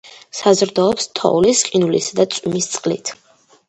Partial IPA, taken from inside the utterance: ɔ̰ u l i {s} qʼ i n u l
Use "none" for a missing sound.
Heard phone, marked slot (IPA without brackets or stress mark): s